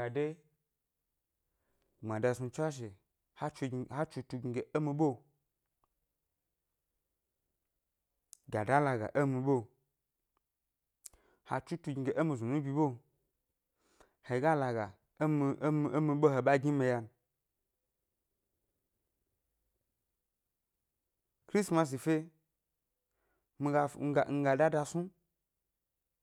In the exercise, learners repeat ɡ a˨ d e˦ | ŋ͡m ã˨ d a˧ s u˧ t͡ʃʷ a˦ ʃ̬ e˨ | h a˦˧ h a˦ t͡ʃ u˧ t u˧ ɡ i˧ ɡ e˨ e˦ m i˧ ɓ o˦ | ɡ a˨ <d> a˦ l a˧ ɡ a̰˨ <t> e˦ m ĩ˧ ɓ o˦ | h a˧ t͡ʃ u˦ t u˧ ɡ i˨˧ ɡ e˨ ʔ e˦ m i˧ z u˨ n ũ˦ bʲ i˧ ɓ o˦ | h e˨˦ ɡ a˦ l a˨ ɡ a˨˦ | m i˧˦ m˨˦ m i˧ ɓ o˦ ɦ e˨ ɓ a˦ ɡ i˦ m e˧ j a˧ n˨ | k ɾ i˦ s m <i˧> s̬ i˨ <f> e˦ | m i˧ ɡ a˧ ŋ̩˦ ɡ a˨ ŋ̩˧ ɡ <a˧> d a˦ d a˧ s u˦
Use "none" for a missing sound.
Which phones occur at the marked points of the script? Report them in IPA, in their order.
d, ʔ, a˧, f, a˧

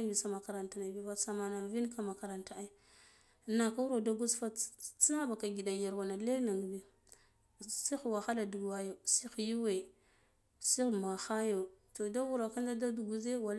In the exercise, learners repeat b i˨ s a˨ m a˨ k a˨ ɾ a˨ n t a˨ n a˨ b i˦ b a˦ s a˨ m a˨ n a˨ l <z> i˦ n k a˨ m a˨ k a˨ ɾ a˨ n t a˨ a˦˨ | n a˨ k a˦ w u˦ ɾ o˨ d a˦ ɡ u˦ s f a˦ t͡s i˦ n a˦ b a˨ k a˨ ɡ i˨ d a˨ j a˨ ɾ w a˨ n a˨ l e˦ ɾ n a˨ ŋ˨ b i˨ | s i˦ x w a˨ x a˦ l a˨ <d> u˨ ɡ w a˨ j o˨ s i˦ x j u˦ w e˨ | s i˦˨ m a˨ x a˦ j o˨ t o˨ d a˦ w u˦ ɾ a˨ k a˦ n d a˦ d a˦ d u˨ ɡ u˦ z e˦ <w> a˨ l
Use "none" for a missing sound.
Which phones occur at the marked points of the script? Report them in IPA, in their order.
v, d, w

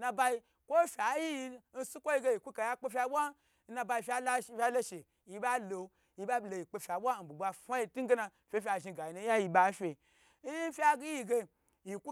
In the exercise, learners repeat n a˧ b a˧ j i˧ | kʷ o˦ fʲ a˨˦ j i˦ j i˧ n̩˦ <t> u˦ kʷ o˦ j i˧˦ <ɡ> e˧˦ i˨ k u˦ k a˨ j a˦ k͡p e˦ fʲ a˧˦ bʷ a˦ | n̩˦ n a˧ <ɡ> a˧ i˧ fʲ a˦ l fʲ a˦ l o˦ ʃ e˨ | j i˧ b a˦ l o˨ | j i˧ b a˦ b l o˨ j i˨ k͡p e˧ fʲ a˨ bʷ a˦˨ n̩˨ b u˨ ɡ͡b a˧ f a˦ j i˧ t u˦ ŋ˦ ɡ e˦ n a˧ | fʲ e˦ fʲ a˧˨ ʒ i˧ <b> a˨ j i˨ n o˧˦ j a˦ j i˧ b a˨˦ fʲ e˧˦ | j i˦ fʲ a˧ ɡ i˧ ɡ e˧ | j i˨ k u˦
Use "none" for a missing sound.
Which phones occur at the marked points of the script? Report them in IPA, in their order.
s, ɡ, b, ɡ

